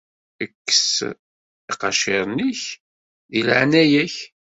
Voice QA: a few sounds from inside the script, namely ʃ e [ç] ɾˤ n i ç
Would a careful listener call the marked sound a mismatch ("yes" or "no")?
yes